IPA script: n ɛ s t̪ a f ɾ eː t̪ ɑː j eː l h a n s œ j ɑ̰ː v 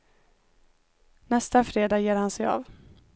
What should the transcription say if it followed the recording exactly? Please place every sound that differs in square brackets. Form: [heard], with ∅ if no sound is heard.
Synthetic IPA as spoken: n ɛ s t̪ a f ɾ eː [d̪] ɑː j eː [ɾ] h a n s [ɛ] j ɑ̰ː v